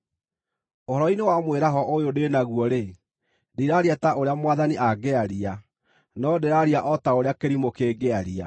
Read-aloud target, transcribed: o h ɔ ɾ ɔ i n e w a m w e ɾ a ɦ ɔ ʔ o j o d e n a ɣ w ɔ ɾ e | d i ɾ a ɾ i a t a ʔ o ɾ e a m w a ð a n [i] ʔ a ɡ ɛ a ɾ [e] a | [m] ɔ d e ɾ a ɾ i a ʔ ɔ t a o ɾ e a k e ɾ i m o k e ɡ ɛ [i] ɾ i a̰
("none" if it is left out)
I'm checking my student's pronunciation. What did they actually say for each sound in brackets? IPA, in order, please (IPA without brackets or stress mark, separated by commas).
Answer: i, i, n, a